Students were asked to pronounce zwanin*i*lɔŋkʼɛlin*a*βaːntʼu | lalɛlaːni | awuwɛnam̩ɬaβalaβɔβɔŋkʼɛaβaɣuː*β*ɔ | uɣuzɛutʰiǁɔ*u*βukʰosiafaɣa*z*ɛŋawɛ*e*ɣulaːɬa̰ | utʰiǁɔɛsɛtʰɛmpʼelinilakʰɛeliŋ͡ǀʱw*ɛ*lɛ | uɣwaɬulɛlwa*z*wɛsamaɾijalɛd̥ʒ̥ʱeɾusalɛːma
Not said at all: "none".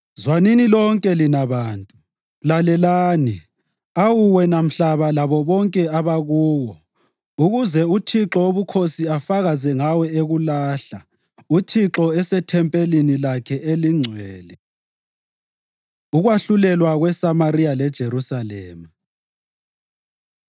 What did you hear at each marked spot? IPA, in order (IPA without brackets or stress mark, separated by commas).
i, a, w, o, z, e, ɛː, ɣ